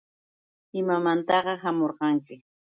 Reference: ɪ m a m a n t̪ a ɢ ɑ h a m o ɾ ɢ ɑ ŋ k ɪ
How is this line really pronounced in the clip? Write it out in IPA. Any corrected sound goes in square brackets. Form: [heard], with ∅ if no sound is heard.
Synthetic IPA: ɪ m a m a n t̪ [ɑ] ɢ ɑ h a m o ɾ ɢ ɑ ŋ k ɪ